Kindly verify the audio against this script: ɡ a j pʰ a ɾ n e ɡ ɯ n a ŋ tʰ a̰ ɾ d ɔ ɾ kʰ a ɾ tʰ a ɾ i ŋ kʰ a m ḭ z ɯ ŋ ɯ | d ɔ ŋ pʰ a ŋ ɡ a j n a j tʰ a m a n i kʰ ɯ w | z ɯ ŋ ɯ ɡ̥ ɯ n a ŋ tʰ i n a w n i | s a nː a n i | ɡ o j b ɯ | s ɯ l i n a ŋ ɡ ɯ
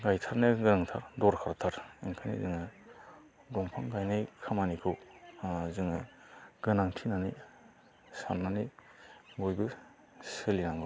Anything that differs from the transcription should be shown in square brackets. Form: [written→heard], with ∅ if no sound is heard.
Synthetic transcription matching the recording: ɡ a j [pʰ→tʰ] a ɾ n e ɡ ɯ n a ŋ tʰ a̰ ɾ d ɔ ɾ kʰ a ɾ tʰ a ɾ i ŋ kʰ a [m→n] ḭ z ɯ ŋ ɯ | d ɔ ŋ pʰ a ŋ ɡ a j n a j [tʰ→kʰ] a m a n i kʰ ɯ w | z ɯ ŋ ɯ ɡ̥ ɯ n a ŋ tʰ i n a [w→∅] n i | s a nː a n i | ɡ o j b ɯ | s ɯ l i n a ŋ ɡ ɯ